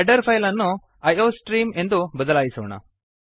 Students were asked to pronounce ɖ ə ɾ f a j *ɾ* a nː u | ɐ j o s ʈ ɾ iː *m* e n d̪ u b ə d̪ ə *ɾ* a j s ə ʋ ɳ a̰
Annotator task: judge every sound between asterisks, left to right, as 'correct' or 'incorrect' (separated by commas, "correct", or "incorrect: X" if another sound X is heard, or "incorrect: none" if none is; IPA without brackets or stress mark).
incorrect: l, correct, incorrect: l